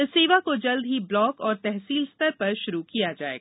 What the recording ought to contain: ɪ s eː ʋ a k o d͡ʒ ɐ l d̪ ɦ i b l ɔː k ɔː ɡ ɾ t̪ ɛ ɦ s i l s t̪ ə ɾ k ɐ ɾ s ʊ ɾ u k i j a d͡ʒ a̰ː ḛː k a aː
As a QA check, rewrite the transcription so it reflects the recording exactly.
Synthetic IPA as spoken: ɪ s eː ʋ a k o d͡ʒ ɐ l d̪ ɦ i b l ɔː k ɔː ɾ t̪ ɛ ɦ s iː l s t̪ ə ɾ p ɐ ɾ ʃ ʊ ɾ u k i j a d͡ʒ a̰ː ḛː ɡ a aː